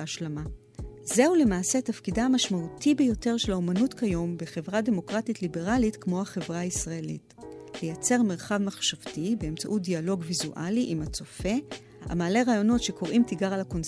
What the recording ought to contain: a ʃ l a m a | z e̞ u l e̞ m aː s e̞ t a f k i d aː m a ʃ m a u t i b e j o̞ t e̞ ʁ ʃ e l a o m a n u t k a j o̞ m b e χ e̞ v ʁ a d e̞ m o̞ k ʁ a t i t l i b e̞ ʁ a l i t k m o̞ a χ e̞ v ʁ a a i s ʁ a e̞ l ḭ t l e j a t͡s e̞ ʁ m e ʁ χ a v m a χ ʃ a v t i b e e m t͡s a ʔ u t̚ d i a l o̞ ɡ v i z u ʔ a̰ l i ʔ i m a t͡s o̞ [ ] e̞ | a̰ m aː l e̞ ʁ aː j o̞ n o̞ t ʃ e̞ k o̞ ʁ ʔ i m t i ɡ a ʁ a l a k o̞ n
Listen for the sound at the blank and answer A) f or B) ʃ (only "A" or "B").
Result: A